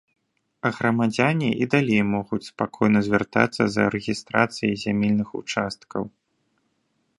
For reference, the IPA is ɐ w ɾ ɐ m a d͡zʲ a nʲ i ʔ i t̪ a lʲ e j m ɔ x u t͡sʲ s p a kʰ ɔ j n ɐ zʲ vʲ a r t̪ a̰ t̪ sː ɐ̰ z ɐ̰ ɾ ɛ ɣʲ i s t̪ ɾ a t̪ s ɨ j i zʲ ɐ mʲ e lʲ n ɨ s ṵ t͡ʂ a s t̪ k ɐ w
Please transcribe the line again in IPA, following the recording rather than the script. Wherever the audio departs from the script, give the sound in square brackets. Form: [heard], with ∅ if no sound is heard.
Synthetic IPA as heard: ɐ [ɣ] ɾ ɐ m a d͡zʲ a nʲ i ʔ i [d̪] a lʲ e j m ɔ [ɣ] u t͡sʲ s p a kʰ ɔ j n ɐ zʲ vʲ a r t̪ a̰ t̪ sː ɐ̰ z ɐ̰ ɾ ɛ ɣʲ i s t̪ ɾ a t̪ s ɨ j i zʲ [a] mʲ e lʲ n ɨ [x] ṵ t͡ʂ a s t̪ k ɐ w